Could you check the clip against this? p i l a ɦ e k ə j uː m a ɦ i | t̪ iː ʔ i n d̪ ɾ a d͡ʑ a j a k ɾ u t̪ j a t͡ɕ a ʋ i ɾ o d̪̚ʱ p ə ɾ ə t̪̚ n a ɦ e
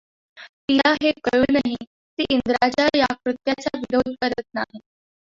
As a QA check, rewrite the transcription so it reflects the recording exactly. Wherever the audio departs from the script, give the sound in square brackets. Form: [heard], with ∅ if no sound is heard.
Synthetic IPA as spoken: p i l a ɦ e k ə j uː [n] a ɦ i | t̪ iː ʔ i n d̪ ɾ a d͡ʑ a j a k ɾ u t̪ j a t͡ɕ a ʋ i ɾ o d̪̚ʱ [k] ə ɾ ə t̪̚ n a ɦ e